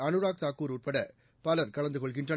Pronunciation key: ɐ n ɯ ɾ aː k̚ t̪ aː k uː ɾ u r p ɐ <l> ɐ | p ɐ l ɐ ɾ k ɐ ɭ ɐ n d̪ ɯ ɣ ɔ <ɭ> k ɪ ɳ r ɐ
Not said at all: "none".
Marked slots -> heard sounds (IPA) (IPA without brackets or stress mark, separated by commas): ɽ, ɭ